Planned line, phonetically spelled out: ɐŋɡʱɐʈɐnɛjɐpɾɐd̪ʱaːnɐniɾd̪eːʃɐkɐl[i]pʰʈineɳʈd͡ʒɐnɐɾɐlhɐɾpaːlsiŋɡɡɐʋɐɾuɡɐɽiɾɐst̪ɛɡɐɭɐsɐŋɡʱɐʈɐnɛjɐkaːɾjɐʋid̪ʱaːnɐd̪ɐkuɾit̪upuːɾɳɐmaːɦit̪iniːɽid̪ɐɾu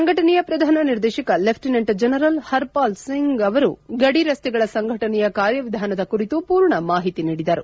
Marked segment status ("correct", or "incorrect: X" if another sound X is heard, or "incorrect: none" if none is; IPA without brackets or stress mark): incorrect: e